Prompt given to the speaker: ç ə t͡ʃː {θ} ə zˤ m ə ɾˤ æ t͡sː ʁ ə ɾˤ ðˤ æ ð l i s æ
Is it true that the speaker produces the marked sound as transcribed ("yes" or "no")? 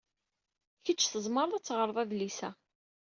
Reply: yes